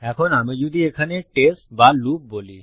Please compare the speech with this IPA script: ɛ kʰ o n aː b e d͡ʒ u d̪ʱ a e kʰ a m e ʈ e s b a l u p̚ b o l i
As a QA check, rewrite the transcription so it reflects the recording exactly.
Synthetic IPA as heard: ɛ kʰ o n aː m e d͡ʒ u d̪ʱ i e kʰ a n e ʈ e s b a l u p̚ b o l i